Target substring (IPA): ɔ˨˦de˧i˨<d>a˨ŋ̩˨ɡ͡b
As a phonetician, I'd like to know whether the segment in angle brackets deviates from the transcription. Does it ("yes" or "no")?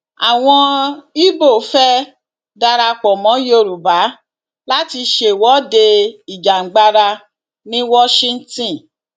yes